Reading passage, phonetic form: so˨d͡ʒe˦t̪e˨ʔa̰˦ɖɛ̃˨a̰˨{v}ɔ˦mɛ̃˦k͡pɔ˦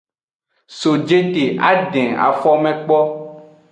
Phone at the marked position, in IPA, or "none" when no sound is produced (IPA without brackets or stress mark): f